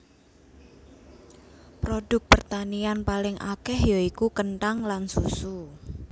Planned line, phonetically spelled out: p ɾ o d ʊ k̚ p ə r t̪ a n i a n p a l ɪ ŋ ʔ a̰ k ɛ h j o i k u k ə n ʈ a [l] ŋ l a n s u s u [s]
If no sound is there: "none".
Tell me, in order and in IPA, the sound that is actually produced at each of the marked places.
none, none

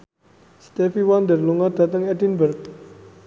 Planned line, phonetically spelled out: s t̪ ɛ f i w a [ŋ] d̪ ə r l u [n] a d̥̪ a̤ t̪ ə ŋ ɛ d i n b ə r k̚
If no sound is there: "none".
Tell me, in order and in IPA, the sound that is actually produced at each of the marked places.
n, ŋ

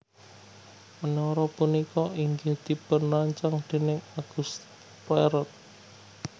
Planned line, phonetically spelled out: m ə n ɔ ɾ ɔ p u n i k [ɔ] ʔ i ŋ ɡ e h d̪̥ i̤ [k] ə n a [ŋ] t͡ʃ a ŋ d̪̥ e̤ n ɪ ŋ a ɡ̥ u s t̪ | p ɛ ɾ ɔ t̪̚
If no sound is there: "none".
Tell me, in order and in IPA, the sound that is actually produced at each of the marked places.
ɔ, p, ɲ

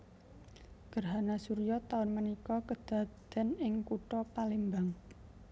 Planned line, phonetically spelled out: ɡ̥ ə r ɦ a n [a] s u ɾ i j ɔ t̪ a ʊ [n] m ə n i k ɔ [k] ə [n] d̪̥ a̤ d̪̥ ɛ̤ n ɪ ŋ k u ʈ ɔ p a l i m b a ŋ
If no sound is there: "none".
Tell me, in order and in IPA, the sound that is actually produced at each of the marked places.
a, n, k, none

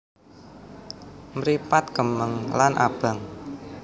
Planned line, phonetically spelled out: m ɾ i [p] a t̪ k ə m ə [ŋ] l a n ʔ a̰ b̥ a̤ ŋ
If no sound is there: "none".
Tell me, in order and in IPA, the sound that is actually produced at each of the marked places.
p, ŋ

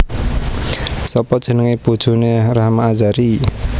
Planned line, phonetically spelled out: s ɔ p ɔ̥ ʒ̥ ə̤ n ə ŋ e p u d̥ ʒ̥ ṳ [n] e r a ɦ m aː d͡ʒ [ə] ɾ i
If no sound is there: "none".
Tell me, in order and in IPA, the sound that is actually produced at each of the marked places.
n, a

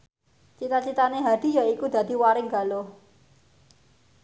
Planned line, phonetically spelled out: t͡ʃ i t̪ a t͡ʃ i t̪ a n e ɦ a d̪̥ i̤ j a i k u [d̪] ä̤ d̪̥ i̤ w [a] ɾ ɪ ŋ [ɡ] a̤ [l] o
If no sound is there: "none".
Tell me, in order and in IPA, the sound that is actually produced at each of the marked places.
d̪, a, ɡ, l

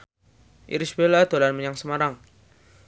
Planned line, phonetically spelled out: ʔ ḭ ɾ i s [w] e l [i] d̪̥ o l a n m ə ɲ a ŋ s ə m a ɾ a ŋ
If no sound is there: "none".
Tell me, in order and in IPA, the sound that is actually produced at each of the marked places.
b, a

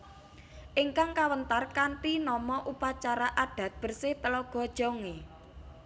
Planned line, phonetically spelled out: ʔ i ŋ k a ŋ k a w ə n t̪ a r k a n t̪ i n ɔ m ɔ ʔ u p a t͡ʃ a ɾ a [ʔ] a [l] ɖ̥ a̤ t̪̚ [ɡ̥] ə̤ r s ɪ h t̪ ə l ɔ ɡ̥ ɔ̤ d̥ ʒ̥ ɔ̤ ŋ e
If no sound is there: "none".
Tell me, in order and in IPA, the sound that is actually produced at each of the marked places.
ʔ, none, b̥

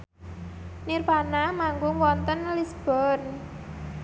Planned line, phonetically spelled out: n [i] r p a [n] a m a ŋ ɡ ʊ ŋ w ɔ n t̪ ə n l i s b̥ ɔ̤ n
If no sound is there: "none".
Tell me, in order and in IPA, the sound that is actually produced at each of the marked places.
i, n

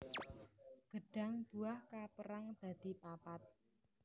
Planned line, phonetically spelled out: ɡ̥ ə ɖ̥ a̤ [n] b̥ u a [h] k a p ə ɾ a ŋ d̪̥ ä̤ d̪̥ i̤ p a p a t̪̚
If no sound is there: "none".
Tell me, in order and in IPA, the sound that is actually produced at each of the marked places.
ŋ, h

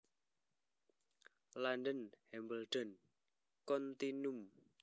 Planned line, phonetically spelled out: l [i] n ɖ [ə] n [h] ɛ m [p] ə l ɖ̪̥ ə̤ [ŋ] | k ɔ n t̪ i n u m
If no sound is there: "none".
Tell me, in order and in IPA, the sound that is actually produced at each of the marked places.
a, ə, h, b, n

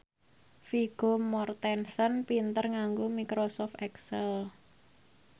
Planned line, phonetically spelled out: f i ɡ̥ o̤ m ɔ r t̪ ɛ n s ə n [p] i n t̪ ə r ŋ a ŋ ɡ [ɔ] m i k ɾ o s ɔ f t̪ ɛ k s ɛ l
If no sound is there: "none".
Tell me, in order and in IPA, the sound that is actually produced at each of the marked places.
p, o

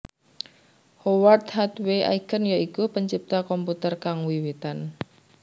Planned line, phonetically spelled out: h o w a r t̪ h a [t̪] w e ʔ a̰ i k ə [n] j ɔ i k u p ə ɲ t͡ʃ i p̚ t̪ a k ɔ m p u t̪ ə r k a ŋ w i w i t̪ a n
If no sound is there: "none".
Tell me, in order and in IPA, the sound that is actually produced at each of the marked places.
t̪, n

